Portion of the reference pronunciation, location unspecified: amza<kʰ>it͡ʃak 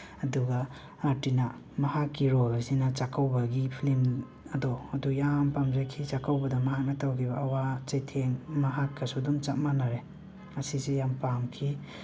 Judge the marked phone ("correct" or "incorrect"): correct